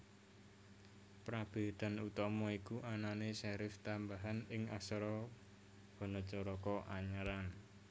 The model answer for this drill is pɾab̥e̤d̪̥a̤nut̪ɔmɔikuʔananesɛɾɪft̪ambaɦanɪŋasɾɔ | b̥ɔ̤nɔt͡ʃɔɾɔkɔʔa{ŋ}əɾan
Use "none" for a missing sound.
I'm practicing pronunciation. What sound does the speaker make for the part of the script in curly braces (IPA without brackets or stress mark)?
ɲ